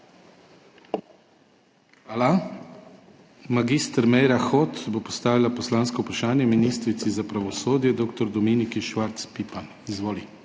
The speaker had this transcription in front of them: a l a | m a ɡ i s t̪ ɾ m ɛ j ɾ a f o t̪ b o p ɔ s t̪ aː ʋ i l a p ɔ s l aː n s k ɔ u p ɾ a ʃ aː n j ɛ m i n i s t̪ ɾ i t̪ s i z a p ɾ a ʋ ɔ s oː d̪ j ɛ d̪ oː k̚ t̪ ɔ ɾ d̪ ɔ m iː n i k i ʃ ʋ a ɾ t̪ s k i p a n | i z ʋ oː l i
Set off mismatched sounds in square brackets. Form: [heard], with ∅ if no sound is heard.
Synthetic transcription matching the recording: a l a | m a ɡ i s t̪ ɾ m ɛ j ɾ a [x] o t̪ b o p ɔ s t̪ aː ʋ i l a p ɔ s l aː n s k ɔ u p ɾ a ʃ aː n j ɛ m i n i s t̪ ɾ i t̪ s i z a p ɾ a ʋ ɔ s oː d̪ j ɛ d̪ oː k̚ t̪ ɔ ɾ d̪ ɔ m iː n i k i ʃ ʋ a ɾ t̪ s [p] i p a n | i z ʋ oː l i